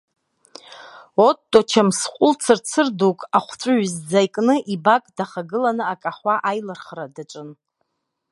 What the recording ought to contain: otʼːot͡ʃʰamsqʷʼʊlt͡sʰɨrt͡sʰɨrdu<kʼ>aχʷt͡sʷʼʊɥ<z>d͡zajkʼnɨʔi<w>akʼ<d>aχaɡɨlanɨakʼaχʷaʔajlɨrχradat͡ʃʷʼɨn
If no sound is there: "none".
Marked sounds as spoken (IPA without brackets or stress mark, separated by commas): kʼ, z, b, d